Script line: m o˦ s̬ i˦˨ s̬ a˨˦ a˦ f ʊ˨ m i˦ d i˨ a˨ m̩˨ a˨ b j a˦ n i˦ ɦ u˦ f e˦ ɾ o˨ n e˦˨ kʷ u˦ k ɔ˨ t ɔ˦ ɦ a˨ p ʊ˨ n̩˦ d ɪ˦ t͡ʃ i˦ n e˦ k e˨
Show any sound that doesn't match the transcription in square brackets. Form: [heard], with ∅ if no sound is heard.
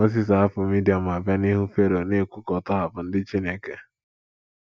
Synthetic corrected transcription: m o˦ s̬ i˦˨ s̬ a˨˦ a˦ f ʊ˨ m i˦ d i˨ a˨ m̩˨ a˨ b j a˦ n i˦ ɦ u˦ f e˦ ɾ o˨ n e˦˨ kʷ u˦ k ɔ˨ t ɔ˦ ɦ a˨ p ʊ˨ n̩˦ d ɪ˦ t͡ʃ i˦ n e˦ k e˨